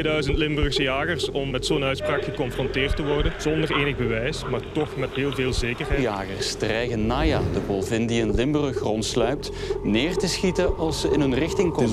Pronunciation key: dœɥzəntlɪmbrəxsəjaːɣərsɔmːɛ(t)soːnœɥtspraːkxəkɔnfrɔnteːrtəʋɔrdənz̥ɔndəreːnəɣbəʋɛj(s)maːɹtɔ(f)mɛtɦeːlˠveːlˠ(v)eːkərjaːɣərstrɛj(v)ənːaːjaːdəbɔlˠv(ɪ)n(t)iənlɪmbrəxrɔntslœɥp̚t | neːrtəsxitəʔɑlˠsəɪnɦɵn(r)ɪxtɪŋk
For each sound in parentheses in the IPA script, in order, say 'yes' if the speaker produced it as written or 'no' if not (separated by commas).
yes, yes, no, no, no, yes, no, yes